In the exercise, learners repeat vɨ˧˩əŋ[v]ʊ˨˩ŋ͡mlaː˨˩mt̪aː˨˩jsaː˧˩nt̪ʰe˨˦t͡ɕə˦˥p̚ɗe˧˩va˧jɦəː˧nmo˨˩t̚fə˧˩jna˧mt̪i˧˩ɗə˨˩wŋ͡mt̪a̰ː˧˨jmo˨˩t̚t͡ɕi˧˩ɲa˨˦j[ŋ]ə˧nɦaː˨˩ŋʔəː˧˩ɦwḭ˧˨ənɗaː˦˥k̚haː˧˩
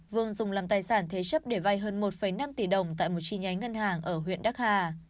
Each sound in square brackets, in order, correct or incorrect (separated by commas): incorrect, correct